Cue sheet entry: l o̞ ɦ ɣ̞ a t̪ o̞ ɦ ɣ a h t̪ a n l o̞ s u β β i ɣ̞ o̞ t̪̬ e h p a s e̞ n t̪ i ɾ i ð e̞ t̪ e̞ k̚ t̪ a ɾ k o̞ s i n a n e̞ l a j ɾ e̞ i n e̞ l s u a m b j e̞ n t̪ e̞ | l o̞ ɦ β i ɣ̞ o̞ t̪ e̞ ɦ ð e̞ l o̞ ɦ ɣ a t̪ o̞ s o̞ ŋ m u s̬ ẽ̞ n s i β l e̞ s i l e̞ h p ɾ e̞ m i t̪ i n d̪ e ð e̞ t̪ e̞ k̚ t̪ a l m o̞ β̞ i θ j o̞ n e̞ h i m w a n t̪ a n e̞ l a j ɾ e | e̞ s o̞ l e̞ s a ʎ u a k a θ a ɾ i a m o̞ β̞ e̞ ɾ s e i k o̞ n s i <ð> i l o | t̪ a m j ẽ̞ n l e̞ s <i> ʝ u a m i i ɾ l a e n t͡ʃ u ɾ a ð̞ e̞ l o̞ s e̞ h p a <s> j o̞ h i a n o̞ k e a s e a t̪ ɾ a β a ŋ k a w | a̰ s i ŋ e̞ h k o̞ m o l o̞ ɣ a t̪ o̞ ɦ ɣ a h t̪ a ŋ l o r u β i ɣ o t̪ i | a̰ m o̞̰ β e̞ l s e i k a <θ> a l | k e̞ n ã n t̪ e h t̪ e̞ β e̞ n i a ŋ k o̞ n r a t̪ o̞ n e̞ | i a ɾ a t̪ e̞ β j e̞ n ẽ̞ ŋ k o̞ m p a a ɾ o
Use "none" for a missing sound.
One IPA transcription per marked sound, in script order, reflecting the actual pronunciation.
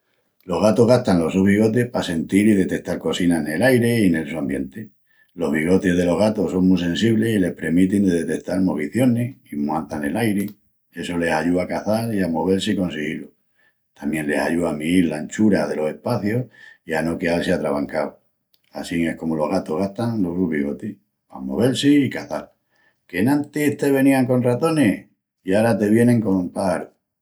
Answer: ɣ, a, θ, θ

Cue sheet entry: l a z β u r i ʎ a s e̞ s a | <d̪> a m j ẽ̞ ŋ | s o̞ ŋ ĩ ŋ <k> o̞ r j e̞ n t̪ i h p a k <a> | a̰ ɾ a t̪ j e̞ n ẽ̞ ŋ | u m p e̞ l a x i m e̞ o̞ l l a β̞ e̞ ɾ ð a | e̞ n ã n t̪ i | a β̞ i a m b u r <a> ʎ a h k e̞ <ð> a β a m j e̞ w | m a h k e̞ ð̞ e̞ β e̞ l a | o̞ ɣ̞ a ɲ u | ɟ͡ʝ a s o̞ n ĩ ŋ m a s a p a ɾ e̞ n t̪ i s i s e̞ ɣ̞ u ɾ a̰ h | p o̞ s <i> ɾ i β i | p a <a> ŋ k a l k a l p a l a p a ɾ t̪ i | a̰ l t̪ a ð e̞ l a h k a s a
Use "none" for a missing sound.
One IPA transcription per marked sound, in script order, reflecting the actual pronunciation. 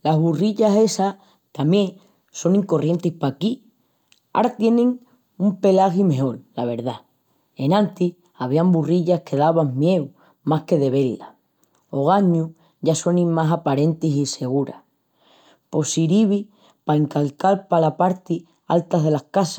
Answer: t̪, k, i, i, ð, i, e

